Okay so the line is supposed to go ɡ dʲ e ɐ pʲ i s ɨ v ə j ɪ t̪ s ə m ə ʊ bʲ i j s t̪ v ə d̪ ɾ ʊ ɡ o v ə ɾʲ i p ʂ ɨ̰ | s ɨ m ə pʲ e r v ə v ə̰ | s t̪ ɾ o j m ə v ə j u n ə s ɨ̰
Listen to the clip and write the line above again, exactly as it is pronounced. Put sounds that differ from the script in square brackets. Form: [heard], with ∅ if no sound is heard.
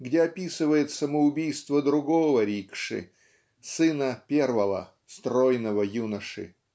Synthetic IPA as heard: ɡ dʲ e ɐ pʲ i s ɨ v ə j ɪ t̪ s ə m ə ʊ bʲ i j s t̪ v ə d̪ ɾ ʊ ɡ o v ə ɾʲ i [k] ʂ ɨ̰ | s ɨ [n] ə pʲ e r v ə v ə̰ | s t̪ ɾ o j [n] ə v ə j u n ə [ʂ] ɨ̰